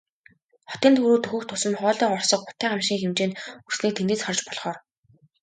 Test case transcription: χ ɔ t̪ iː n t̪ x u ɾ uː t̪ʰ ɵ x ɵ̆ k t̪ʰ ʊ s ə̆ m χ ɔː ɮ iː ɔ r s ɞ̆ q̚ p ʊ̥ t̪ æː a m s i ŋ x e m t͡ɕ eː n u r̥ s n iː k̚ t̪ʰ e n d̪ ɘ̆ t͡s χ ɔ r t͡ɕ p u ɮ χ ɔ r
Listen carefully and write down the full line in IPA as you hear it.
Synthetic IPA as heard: χ ɔ t̪ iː n t̪ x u ɾ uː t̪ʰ ɵ x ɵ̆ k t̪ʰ ʊ s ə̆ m χ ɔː ɮ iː ɔ r s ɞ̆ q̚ p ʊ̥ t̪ æː a m ʃ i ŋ x e m t͡ɕ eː n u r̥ s n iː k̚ t̪ʰ e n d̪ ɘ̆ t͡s χ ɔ r t͡ɕ p ɔ ɮ χ ɔː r

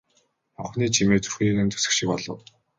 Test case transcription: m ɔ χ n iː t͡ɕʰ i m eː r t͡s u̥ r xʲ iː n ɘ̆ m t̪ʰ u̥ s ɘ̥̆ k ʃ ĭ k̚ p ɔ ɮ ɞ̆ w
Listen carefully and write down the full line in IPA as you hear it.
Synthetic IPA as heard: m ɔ χ n iː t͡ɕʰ i m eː t͡s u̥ r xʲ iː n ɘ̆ n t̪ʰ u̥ s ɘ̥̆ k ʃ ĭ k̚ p ɔ ɮ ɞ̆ w

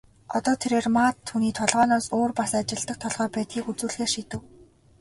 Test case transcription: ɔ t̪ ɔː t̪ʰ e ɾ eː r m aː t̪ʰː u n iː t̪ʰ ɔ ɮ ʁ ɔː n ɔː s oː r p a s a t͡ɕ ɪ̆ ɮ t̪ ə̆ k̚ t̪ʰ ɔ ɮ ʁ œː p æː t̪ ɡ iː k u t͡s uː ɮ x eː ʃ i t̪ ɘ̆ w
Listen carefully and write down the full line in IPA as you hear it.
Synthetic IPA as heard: ɔ t̪ ɔː t̪ʰ e ɾ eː r m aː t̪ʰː u n iː t̪ʰ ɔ ɮ ʁ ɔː n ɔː s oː r p a s a t͡ɕ ɪ̆ ɮ t̪ ə̆ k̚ t̪ʰ ɔ ɮ ʁ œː p æː t̪ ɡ iː k u t͡s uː ɮ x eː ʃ i t̪ ɘ̆ w

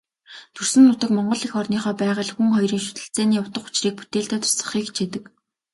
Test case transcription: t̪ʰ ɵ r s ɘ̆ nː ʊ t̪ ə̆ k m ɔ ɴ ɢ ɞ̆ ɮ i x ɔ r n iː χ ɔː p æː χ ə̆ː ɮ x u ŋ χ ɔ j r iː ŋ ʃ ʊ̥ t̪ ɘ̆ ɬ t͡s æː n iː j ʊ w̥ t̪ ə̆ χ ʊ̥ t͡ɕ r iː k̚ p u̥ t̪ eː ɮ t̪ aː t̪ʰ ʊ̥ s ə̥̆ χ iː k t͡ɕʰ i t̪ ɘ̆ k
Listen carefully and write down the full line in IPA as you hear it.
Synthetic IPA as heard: t̪ʰ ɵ r s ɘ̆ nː ʊ t̪ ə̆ k m ɔ ɴ ɢ ɞ̆ ɮ i x ɔ r n iː χ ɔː p æː ʁ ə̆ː ɮ x u ŋ χ ɔ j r iː ŋ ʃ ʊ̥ t̪ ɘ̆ ɬ t͡s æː n iː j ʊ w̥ t̪ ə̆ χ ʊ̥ t͡ɕ r iː k̚ p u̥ t̪ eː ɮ t̪ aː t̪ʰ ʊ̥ s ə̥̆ χ iː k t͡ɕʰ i t̪ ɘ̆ k

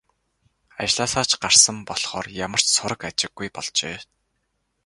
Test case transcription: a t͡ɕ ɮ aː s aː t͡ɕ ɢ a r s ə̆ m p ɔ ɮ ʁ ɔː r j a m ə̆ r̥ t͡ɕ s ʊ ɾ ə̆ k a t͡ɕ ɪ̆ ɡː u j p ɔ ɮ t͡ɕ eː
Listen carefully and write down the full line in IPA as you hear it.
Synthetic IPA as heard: a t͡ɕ ɮ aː s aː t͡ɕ ɢ a r s ə̆ m p ɔ ɮ χ ɔː r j a m ə̆ r̥ t͡ɕ s ʊ ɾ ə̆ k a t͡ɕ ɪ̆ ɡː u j p ɔ ɮ t͡ɕ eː

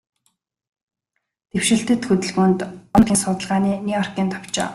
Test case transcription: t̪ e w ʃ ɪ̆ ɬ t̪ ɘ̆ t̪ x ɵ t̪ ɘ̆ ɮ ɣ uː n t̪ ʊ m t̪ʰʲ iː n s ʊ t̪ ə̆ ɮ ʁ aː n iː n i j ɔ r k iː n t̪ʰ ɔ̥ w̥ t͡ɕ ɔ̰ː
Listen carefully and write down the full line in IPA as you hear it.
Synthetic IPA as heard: t̪ e w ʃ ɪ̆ ɬ t̪ ɘ̆ t̪ x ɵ t̪ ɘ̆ ɮ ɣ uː n t̪ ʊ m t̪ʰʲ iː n s ʊ t̪ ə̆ ɮ ʁ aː n iː n i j ɔ r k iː n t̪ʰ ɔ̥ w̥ t͡ɕ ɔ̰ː

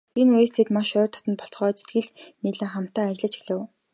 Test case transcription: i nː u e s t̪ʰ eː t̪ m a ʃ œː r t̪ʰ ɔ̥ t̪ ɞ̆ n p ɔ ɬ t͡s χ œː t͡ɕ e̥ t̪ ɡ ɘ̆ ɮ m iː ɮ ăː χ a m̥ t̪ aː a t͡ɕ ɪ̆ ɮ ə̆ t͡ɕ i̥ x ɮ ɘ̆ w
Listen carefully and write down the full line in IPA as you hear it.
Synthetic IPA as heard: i n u e s t̪ʰ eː t̪ m a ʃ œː r t̪ʰ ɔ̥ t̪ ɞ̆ n p ɔ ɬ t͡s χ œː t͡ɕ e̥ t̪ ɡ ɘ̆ ɮ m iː ɮ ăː χ a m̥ t̪ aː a t͡ɕ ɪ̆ ɮ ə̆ t͡ɕ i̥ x ɮ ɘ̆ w

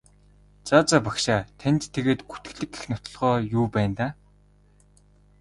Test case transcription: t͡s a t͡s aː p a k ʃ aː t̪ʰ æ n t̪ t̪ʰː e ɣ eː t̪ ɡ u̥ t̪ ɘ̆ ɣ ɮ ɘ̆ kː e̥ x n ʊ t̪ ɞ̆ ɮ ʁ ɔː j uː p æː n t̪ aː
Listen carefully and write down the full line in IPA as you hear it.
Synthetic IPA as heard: t͡s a t͡s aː p a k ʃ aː t̪ʰ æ n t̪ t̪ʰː e ɣ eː t̪ ɡ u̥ t̪ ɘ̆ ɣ ɮ ɘ̆ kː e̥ x n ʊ t̪ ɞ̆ ɮ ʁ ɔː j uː p æː n t̪ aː

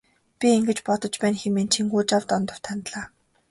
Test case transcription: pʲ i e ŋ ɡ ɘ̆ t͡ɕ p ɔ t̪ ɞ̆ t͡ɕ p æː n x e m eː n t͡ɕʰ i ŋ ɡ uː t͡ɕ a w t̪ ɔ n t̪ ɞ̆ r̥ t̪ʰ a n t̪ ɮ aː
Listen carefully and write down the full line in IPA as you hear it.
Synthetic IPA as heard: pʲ i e ŋ ɡ ɘ̆ t͡ɕ p ɔ t̪ ɞ̆ t͡ɕ p æː n x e m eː n t͡ɕʰ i ŋ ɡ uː t͡ɕ a w t̪ ɔ n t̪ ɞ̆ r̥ t̪ʰ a n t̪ ɮ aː

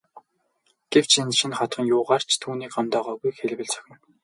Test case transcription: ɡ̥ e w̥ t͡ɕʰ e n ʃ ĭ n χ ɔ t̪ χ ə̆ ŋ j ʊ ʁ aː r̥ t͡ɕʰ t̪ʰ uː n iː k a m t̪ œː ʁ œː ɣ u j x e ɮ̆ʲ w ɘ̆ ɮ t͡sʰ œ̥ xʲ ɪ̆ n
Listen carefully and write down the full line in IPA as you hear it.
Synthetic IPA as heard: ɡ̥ e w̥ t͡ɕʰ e n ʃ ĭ n χ ɔ t̪ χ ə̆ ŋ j ʊː ʁ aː r̥ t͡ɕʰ t̪ʰ uː n iː k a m t̪ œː ʁ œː ɣ u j x e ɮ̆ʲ w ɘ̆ ɮ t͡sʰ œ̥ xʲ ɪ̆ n

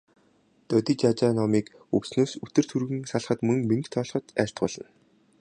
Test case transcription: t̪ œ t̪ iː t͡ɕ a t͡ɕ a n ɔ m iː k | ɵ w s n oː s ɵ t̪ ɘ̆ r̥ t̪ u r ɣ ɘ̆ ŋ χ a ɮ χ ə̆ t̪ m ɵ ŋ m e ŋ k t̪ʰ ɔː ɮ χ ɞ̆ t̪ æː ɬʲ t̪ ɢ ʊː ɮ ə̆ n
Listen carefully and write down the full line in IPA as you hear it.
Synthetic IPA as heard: t̪ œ t̪ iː t͡ɕ a t͡ɕ a n ɔ m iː k | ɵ w s n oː s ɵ t̪ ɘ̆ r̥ t̪ʰ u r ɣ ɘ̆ ŋ s a ɮ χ ə̆ t̪ m ɵ ŋ m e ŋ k t̪ʰ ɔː ɮ χ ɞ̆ t̪ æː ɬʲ t̪ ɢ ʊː ɮ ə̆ n

